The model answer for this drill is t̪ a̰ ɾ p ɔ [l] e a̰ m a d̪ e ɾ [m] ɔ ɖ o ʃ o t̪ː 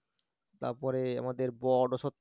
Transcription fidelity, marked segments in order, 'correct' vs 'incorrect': incorrect: ɾ, incorrect: b

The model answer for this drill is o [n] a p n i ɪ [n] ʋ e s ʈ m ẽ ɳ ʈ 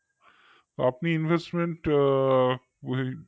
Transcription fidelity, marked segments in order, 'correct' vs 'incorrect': incorrect: none, correct

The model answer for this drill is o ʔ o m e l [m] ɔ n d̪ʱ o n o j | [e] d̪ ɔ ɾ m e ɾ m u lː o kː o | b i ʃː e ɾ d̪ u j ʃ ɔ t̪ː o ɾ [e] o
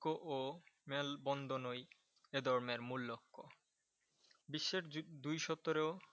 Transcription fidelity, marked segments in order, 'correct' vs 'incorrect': incorrect: b, correct, correct

